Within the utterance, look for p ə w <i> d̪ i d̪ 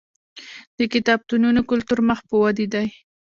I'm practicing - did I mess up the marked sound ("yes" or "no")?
yes